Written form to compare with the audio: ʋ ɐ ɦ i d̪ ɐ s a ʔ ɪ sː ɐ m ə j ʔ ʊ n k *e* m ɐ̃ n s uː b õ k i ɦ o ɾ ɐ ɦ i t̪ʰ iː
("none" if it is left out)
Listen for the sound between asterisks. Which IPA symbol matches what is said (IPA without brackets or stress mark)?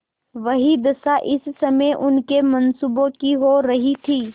e